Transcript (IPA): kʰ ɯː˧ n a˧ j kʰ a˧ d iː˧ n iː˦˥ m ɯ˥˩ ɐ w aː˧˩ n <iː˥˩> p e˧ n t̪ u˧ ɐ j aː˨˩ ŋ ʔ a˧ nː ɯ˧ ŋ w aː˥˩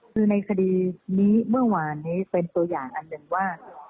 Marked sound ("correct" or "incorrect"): incorrect